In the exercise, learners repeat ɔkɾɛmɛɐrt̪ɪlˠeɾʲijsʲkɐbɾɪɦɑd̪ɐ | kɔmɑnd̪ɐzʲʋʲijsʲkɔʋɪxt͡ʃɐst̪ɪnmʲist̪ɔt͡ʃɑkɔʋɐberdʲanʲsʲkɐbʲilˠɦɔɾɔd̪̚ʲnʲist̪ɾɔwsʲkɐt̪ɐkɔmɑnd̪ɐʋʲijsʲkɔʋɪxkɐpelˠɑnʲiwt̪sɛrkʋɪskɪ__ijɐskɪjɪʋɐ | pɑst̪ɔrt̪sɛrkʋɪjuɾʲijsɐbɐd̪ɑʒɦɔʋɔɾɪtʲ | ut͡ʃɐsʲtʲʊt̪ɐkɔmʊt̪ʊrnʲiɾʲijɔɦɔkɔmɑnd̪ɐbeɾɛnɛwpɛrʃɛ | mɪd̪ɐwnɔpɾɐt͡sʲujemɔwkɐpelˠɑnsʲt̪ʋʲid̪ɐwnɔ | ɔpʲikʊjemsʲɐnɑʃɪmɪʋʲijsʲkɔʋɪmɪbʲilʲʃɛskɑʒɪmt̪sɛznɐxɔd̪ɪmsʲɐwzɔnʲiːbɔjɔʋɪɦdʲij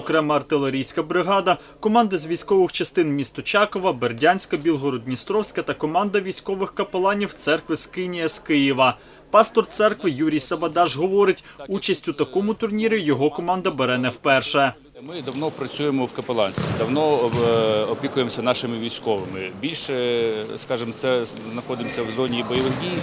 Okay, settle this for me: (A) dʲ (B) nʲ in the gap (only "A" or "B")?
B